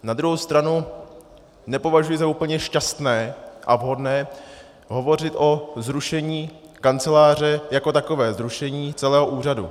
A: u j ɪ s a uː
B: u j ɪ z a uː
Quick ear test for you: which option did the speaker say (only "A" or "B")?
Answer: B